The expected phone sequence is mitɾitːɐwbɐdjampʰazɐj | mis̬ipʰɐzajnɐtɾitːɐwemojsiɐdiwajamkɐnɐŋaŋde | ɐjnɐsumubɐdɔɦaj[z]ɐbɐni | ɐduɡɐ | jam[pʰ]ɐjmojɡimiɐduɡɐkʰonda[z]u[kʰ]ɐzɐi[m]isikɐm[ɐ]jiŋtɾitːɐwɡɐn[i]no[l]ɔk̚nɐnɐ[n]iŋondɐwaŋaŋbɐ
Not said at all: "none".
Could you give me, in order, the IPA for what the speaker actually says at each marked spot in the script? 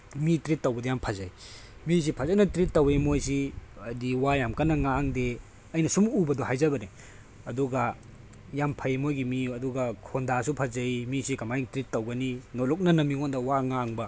z, pʰ, s, pʰ, m, a, i, l, m

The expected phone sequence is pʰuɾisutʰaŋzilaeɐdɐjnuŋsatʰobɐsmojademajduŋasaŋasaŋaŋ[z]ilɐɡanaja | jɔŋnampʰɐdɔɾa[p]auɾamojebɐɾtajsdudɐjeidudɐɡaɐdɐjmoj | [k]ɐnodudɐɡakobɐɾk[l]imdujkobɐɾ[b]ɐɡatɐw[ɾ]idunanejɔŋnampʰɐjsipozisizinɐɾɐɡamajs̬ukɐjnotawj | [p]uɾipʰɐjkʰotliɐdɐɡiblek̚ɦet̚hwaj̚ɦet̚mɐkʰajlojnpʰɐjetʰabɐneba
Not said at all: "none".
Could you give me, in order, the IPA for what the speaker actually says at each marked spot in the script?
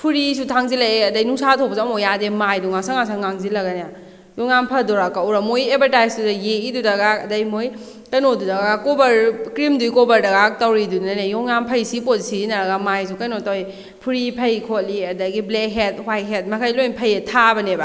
z, k, k, ɾ, d, ɾ, pʰ

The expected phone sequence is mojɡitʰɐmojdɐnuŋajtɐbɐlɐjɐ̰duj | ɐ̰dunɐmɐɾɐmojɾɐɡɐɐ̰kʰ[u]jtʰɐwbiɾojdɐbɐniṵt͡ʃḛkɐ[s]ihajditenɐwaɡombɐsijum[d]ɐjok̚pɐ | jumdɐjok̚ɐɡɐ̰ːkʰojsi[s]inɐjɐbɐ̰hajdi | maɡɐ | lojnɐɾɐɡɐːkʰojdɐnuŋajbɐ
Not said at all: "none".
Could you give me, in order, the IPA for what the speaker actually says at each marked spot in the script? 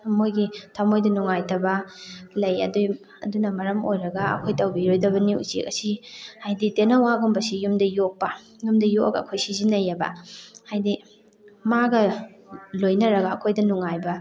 o, s, d, z

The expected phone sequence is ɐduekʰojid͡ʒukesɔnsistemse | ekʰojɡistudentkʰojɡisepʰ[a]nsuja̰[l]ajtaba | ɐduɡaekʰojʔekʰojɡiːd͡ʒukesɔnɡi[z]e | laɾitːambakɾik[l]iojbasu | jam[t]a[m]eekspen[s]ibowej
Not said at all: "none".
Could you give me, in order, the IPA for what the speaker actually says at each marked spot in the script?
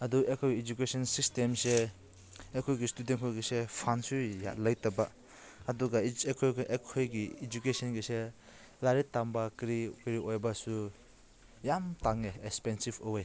a, l, s, ɾ, t, ŋ, s

